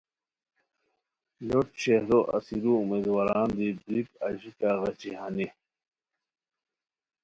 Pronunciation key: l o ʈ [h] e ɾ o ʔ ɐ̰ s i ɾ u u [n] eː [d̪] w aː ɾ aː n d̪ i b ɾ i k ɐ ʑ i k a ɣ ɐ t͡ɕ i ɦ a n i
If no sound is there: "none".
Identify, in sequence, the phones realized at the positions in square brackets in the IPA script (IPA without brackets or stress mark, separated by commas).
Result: ɕ, m, d̪